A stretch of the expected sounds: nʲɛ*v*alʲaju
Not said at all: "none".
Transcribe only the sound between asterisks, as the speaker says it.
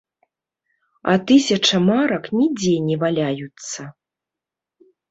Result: v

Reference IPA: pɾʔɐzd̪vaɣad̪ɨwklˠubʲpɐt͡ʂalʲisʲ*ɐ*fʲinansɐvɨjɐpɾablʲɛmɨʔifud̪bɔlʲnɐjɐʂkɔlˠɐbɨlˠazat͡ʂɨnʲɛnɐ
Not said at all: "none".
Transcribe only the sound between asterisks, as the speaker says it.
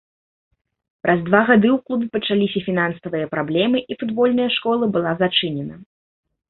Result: ɐ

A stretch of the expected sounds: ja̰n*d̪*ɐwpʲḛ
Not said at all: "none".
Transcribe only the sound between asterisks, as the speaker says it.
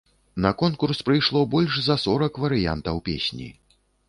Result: t̪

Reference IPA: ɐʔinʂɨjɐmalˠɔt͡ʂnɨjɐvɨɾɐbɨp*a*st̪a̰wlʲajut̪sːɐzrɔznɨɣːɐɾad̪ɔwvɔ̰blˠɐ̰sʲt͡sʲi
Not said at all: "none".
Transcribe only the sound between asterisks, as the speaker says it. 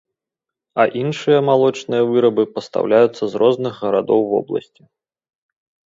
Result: ɐ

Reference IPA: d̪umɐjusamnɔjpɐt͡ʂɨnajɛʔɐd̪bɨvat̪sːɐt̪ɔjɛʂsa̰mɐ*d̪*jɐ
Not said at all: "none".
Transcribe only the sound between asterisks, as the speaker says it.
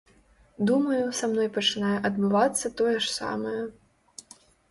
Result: none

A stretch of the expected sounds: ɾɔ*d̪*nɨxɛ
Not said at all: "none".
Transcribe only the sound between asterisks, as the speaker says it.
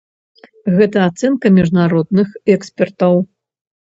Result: d̪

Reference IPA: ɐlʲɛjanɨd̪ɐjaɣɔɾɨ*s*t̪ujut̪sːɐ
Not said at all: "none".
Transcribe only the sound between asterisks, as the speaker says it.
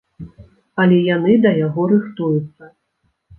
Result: x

